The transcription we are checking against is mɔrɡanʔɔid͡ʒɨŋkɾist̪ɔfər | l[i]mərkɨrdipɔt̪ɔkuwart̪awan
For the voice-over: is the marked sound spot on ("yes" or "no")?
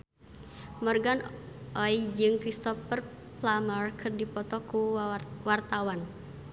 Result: no